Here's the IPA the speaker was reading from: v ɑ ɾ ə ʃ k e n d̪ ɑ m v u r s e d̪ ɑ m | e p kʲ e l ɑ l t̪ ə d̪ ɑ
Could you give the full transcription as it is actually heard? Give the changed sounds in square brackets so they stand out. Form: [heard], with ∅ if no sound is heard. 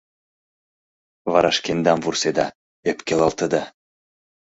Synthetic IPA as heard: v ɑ ɾ [ɑ] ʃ k e n d̪ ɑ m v u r s e d̪ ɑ [∅] | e p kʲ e l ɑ l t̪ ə d̪ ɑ

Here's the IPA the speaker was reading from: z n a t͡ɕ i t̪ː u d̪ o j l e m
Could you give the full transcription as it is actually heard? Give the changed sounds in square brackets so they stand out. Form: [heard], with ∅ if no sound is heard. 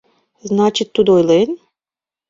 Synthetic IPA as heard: z n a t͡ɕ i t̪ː u d̪ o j l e [n]

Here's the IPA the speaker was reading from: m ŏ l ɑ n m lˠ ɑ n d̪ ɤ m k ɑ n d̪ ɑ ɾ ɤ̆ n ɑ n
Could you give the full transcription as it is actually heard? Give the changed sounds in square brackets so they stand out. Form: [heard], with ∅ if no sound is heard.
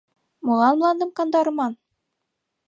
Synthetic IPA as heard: m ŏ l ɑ n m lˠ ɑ n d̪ ɤ m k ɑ n d̪ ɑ ɾ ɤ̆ [m] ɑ n

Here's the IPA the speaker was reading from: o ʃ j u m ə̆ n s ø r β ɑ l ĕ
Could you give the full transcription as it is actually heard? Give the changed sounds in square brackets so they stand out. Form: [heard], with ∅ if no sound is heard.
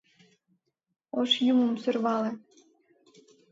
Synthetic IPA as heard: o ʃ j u m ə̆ [m] s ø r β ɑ l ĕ

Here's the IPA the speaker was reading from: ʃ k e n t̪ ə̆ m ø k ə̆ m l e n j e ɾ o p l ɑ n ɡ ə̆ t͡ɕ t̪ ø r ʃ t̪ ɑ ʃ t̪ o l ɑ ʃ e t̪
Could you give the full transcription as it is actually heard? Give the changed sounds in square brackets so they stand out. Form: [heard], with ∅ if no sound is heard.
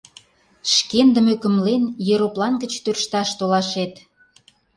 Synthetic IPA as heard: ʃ k e n [d̪] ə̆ m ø k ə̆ m l e n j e ɾ o p l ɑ n ɡ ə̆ t͡ɕ t̪ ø r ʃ t̪ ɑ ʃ t̪ o l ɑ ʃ e t̪

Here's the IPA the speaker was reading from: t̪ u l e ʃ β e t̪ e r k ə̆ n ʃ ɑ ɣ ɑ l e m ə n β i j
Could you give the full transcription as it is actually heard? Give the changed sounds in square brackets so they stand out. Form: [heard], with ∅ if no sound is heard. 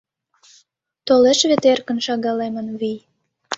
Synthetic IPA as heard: t̪ [o] l e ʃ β e t̪ e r k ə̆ n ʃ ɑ ɣ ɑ l e m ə n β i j

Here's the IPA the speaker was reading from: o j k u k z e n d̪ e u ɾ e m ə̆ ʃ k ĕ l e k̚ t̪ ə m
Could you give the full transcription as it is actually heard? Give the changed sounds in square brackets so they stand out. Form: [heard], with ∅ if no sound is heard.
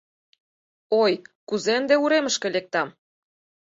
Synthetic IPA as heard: o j k u [∅] z e n d̪ e u ɾ e m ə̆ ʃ k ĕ l e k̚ t̪ [ɑ] m

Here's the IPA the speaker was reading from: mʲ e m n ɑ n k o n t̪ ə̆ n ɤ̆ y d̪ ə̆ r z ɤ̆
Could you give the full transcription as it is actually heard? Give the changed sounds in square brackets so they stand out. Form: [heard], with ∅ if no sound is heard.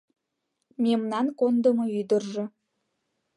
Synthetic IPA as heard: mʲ e m n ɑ n k o n [d̪] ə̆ [m] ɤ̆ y d̪ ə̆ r [ʒ] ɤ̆

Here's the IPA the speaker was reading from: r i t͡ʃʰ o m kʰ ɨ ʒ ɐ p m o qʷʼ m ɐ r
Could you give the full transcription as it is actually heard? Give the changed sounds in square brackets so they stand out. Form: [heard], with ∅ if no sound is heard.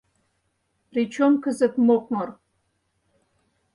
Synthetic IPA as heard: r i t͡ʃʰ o m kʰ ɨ [z] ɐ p m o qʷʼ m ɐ r

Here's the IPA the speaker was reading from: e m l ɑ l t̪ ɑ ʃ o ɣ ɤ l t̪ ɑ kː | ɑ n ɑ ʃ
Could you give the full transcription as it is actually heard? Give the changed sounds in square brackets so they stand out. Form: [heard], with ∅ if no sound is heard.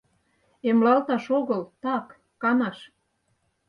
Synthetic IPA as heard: e m l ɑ l t̪ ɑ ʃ o ɣ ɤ l t̪ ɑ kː | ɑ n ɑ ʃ

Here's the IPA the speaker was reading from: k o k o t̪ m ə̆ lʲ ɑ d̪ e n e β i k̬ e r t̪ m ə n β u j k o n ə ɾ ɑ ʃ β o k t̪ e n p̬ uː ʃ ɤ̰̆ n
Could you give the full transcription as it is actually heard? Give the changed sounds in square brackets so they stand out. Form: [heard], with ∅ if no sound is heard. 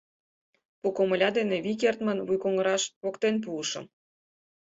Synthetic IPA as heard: [p] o k o [∅] m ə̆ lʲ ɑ d̪ e n e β i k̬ e r t̪ m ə n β u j k o [ŋ] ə ɾ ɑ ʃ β o k t̪ e n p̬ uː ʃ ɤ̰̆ [m]

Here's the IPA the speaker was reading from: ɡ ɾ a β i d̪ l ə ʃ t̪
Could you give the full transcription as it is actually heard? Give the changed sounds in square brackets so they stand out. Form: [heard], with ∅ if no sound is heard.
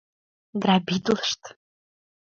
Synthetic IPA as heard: ɡ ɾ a [b] i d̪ l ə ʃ t̪

